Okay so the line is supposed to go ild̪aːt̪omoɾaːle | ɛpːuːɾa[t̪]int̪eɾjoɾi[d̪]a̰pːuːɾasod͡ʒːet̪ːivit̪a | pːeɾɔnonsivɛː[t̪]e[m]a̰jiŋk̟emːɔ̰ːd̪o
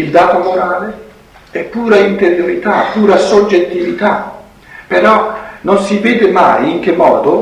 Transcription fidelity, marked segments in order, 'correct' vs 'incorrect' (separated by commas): incorrect, incorrect, incorrect, correct